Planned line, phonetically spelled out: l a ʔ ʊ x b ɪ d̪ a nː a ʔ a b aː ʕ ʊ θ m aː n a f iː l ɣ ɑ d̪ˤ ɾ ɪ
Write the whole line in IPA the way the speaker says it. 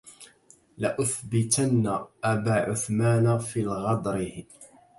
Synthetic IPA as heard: l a ʔ ʊ θ b ɪ t̪ a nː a ʔ a b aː ʕ ʊ θ m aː n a f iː l ɣ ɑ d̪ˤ ɾ ɪ